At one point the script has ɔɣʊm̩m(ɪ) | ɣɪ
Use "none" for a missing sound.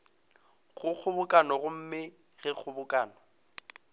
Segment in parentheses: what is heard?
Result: ɪ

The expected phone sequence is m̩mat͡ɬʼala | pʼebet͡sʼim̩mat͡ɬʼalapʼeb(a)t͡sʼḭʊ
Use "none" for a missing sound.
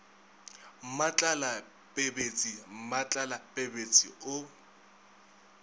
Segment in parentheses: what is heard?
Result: e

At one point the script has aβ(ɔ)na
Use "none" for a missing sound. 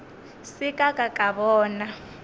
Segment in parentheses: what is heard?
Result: ɔː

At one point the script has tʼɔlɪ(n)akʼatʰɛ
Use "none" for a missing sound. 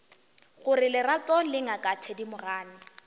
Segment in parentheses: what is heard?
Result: ŋ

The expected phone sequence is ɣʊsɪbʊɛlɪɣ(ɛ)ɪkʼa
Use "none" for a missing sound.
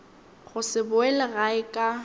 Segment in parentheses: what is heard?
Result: a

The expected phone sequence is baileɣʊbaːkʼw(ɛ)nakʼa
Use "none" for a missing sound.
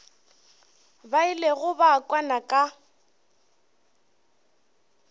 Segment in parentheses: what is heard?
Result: a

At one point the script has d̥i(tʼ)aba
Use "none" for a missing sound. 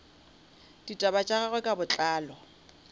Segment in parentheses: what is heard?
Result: tʼ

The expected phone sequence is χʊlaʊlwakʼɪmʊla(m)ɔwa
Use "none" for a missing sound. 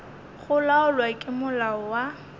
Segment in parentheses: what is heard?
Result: none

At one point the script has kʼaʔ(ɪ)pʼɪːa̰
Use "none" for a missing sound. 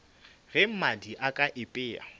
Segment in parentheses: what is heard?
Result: ɪ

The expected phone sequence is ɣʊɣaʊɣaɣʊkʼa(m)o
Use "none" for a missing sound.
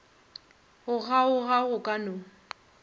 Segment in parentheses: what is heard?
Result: n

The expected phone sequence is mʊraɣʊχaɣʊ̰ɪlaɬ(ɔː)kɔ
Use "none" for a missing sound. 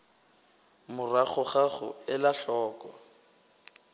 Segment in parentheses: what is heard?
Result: ɔː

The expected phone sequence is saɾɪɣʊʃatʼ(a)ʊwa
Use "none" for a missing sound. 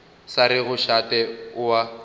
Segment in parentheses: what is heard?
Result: ɛ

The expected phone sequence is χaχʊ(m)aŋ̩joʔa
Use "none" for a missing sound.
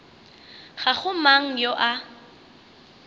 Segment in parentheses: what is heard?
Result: m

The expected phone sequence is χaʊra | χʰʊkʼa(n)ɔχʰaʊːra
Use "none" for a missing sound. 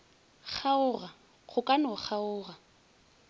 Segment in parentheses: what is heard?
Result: n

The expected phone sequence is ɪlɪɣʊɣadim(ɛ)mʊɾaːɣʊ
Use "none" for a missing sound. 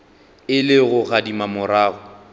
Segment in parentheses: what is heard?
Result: a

